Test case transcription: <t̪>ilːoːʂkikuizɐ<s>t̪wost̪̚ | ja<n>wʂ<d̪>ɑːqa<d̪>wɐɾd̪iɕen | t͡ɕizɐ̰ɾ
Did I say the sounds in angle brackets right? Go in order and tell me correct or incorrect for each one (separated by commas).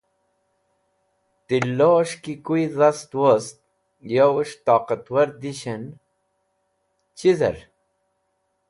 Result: correct, correct, incorrect, incorrect, incorrect